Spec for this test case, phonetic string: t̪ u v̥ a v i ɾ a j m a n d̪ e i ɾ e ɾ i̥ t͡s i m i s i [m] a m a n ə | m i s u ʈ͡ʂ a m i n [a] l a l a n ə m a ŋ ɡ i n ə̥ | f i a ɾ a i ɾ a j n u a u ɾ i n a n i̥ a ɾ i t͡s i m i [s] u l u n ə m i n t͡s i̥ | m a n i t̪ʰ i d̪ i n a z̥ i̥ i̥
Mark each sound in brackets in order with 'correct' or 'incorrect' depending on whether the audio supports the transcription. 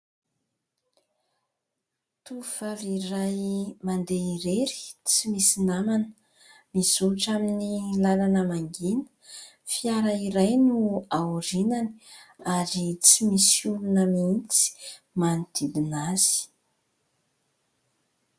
incorrect: n, incorrect: i, correct

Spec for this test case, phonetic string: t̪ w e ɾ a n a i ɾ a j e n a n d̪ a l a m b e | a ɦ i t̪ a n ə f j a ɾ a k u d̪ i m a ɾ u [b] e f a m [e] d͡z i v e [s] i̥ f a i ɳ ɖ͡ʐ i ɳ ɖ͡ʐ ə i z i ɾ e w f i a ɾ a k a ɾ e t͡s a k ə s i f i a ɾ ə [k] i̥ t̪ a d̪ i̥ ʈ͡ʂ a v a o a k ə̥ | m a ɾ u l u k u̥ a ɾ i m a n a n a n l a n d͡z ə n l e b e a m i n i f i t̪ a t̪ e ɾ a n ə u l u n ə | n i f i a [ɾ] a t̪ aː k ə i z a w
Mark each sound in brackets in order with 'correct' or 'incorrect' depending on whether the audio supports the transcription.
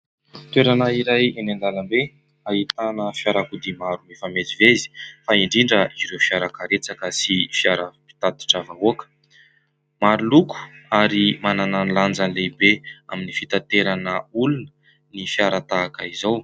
incorrect: m, correct, incorrect: z, incorrect: p, correct

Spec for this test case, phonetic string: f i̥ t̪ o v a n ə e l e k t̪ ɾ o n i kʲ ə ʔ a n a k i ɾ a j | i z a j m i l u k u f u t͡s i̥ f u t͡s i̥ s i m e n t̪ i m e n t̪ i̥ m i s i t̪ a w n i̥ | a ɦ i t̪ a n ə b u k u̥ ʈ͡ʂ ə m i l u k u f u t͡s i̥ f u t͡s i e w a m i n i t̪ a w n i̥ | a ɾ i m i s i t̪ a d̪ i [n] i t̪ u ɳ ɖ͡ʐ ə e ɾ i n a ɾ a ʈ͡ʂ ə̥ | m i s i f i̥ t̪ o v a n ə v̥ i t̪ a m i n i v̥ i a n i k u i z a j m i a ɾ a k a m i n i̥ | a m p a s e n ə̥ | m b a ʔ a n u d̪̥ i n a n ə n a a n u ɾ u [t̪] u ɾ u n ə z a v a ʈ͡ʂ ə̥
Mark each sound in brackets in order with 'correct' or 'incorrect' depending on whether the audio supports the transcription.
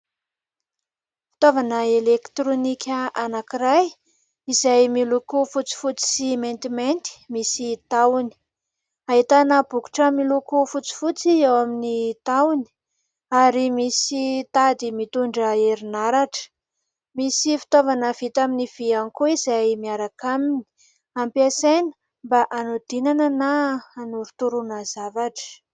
incorrect: m, correct

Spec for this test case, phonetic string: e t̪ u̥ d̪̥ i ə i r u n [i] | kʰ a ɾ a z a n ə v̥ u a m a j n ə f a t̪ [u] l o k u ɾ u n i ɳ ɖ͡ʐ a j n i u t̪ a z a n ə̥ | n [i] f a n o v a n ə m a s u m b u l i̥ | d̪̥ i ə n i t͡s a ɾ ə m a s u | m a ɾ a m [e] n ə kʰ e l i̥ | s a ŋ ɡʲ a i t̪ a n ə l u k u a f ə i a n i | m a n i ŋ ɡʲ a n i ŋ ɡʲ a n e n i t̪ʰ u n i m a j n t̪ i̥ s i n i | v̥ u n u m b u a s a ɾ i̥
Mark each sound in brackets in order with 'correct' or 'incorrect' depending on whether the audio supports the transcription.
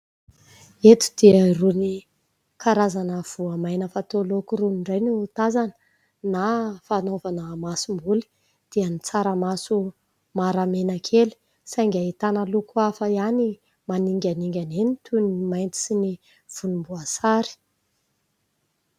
correct, incorrect: o, incorrect: a, correct

